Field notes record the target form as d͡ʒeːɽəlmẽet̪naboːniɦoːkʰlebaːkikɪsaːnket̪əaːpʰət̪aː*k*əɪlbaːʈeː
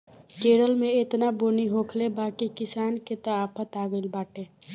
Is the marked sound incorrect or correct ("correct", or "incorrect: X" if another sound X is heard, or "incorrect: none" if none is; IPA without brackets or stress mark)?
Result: incorrect: ɡ